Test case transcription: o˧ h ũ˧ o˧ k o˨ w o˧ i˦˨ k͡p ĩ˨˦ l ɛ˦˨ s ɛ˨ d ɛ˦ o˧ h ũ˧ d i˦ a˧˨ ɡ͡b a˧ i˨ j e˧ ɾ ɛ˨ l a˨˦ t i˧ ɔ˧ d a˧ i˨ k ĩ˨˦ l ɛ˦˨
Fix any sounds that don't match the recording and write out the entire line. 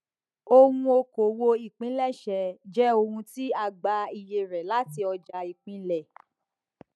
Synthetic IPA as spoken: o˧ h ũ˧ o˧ k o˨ w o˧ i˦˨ k͡p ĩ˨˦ l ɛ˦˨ ʃ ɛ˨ d͡ʒ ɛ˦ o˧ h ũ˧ t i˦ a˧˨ ɡ͡b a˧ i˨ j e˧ ɾ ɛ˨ l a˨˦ t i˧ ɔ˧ d͡ʒ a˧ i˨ k͡p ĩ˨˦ l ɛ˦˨